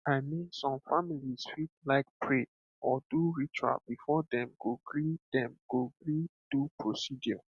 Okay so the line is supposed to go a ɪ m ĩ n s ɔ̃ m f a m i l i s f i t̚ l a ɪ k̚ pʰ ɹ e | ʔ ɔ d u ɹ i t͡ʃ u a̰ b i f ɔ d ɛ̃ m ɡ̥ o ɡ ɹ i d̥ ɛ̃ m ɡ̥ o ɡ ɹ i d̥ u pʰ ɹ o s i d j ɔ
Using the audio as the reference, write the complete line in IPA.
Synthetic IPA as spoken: a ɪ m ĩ n s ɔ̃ m f a m i l i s f i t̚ l a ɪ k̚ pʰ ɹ e | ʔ ɔ d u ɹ i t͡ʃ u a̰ b i f ɔ d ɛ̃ m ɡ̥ o ɡ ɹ i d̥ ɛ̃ m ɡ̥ o ɡ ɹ i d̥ u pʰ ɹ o s i d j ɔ